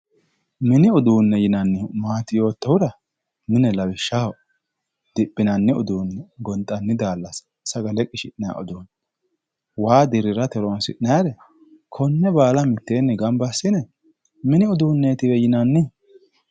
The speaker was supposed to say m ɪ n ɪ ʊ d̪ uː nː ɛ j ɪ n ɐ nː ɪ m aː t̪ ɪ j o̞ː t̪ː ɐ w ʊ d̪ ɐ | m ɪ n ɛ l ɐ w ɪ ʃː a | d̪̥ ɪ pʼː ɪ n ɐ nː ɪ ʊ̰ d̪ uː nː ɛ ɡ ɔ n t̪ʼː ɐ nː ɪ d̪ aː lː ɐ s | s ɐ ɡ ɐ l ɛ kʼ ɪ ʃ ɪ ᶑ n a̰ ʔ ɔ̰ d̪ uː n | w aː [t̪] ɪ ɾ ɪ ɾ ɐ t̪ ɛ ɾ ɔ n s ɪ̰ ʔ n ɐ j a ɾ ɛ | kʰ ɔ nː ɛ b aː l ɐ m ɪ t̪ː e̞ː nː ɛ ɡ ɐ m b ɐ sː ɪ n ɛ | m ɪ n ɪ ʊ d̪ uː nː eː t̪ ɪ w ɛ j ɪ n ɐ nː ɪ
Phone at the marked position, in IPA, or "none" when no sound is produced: d̪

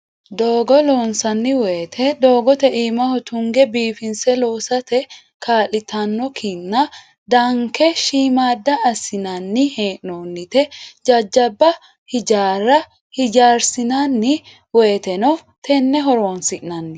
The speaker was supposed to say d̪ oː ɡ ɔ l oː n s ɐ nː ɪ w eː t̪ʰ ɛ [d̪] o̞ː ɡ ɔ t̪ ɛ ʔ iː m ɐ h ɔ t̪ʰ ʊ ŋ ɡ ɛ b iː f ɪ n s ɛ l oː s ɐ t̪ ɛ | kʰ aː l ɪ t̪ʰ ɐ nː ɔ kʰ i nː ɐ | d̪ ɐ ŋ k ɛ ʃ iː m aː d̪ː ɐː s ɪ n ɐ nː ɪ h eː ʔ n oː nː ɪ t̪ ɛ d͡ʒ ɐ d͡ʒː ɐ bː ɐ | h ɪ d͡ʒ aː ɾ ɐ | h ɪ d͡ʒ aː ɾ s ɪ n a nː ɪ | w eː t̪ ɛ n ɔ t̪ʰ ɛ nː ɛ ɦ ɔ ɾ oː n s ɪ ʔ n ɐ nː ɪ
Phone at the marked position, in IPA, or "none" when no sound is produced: d̪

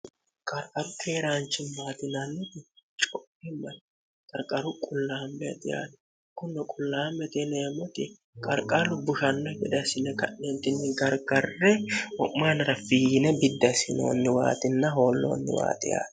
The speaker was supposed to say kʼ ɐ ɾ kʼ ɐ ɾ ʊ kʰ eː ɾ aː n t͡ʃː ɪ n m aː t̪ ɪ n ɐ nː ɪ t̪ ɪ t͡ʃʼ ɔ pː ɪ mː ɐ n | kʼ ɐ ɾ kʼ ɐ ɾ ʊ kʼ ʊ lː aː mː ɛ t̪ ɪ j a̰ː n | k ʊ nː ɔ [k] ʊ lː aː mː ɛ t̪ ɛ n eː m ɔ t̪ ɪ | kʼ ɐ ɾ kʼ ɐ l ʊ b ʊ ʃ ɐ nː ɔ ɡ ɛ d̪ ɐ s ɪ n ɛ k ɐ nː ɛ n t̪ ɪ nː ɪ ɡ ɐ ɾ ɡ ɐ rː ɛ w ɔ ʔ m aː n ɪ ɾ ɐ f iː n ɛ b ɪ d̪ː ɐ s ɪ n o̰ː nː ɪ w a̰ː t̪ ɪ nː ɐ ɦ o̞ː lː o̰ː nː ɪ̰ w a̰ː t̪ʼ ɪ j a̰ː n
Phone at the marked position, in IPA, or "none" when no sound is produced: kʼ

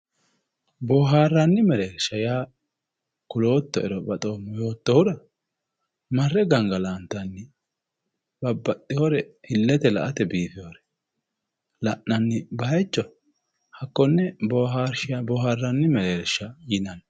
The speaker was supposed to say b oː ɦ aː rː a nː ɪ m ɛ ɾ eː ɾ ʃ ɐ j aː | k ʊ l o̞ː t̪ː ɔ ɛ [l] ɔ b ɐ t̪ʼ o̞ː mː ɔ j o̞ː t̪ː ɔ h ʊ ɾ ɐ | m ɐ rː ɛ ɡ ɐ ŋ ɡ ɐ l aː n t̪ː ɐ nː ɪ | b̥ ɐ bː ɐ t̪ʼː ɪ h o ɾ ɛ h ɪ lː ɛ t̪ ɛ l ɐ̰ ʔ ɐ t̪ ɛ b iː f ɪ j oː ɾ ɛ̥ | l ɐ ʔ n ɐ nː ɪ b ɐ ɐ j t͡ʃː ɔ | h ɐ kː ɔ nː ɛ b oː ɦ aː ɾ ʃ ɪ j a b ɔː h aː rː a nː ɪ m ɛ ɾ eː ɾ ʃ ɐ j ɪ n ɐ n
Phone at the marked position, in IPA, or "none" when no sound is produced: ɾ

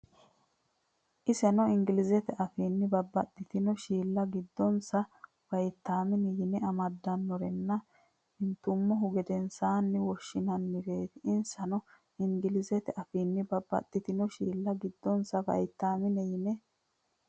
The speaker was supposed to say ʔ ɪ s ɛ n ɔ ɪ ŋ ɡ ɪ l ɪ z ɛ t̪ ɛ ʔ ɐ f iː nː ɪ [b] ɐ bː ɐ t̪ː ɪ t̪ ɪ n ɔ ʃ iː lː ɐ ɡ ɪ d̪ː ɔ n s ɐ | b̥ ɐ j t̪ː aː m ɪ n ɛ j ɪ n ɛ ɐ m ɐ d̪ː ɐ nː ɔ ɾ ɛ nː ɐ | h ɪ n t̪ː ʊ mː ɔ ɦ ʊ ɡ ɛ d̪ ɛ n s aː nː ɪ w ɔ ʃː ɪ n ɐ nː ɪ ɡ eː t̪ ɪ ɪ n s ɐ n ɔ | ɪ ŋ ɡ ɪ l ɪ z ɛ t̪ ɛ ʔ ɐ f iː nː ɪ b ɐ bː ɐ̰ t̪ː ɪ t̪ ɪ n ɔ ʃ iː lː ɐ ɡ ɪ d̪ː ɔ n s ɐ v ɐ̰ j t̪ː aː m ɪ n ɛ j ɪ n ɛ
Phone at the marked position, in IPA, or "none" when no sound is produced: b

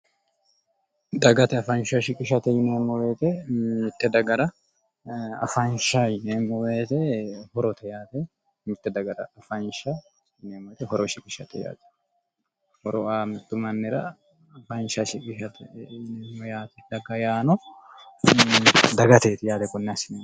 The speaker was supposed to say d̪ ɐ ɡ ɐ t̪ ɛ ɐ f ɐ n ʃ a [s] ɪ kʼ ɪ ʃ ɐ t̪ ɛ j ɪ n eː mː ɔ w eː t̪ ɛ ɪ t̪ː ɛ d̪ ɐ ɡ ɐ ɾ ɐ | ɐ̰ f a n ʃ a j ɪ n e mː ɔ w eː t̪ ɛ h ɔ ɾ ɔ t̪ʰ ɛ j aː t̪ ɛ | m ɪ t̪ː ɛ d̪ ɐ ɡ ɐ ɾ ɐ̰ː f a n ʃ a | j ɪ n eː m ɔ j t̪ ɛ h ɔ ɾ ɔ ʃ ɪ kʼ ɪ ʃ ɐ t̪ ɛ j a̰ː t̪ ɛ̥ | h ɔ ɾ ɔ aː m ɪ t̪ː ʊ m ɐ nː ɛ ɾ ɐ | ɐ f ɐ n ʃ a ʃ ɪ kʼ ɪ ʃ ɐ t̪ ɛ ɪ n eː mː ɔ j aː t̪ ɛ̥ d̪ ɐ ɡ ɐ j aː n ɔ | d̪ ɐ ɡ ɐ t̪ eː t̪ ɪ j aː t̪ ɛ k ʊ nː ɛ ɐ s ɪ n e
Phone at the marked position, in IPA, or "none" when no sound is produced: ʃ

